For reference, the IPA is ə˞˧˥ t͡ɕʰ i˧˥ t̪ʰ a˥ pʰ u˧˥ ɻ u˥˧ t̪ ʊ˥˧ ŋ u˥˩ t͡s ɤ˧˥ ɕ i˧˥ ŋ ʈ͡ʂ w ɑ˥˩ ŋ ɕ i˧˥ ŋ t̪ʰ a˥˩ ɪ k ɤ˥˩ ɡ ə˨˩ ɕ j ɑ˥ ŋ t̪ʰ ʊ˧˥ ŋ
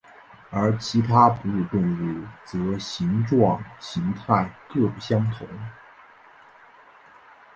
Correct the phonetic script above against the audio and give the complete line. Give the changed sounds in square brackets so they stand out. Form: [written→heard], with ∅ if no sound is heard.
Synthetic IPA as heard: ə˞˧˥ t͡ɕʰ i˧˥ t̪ʰ a˥ [pʰ→p] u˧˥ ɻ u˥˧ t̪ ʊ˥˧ ŋ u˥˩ t͡s ɤ˧˥ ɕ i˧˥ ŋ ʈ͡ʂ w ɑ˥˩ ŋ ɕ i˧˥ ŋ t̪ʰ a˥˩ ɪ k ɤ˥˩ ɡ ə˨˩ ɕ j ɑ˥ ŋ t̪ʰ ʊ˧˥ ŋ